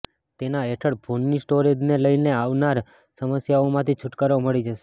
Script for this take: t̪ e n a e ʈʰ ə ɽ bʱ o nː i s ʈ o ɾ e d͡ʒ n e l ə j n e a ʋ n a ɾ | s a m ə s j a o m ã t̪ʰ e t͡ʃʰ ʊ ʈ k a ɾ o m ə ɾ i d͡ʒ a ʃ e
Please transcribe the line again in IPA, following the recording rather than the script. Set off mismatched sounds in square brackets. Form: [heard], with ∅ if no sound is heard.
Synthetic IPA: t̪ e n a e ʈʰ ə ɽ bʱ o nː i s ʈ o ɾ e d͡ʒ n e l ə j n e a ʋ n a ɾ | s [ə] m ə s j a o m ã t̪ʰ [i] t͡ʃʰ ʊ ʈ k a ɾ o m ə [ɭ] i d͡ʒ [ə] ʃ e